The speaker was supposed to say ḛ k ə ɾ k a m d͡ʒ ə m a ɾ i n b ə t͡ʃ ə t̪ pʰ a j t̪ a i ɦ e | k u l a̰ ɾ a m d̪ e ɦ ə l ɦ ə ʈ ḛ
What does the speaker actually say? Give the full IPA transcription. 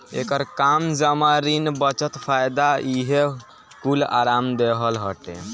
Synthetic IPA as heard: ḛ k ə ɾ k a m d͡ʒ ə m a ɾ i n b ə t͡ʃ ə t̪ pʰ a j d̪ a i ɦ e | k u l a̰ ɾ a m d̪ e ɦ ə l ɦ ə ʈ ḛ

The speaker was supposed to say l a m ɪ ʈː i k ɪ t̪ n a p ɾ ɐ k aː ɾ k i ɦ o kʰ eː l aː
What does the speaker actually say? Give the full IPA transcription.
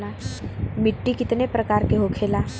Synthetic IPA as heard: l a m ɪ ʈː i k ɪ t̪ n e p ɾ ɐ k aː ɾ k e ɦ o kʰ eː l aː

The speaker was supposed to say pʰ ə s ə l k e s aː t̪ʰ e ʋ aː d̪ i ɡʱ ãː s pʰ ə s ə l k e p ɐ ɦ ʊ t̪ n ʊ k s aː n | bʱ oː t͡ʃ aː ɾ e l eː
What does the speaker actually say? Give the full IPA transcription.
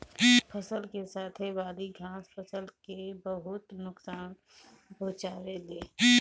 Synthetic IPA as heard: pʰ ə s ə l k e s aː t̪ʰ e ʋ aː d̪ i ɡʱ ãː s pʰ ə s ə l k e b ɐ ɦ ʊ t̪ n ʊ k s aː n | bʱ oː t͡ʃ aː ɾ e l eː

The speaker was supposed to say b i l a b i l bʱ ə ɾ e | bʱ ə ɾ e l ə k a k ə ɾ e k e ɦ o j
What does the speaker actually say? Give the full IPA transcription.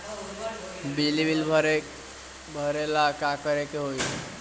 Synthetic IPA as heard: b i l i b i l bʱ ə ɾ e | bʱ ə ɾ e l a k a k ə ɾ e k e ɦ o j

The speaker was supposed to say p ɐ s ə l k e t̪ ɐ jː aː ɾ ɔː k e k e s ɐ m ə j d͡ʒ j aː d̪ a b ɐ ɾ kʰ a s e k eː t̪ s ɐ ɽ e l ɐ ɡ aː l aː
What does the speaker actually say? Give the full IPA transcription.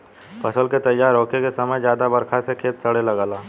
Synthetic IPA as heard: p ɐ s ə l k e t̪ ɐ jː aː ɾ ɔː k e k e s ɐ m ə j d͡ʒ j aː d̪ a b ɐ ɾ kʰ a s e kʰ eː t̪ s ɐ ɽ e l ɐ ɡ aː l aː

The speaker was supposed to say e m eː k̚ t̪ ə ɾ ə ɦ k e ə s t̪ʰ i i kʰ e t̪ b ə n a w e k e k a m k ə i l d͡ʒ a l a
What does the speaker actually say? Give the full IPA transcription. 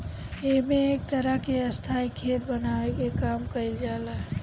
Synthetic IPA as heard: e m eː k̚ t̪ ə ɾ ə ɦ k e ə s t̪ʰ a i kʰ e t̪ b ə n a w e k e k a m k ə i l d͡ʒ a l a

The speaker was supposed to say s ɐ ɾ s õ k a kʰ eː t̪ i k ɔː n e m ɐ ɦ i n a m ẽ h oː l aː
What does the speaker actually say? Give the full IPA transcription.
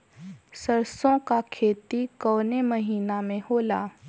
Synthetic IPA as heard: s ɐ ɾ s õ k a kʰ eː t̪ i k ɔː n e m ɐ ɦ iː n a m ẽ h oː l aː

